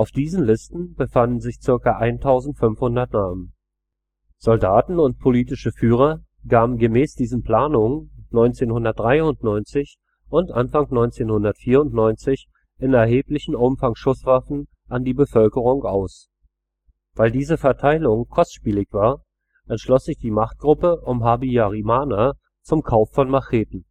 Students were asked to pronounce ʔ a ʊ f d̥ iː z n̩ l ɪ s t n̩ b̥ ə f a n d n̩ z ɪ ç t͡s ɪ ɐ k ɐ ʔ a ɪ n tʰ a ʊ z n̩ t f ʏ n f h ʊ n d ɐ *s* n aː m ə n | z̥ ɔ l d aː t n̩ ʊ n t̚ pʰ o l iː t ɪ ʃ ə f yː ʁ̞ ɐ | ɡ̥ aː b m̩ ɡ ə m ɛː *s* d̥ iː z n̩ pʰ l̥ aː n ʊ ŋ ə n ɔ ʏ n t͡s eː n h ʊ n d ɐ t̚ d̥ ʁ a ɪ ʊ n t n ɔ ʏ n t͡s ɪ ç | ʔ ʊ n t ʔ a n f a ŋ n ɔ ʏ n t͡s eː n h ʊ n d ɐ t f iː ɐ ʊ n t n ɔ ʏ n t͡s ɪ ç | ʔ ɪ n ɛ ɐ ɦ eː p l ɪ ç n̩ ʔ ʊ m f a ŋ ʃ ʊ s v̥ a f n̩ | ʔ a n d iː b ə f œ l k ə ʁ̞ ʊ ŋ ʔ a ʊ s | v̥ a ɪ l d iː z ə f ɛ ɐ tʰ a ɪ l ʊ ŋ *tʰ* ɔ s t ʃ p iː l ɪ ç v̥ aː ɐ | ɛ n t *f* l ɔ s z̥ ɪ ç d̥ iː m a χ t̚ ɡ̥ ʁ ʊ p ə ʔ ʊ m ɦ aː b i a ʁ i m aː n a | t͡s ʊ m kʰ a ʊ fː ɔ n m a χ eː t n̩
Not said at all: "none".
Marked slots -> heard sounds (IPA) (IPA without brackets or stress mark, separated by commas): t, s, kʰ, ʃ